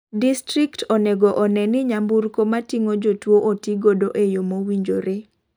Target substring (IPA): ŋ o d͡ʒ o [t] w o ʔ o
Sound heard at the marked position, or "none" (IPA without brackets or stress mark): t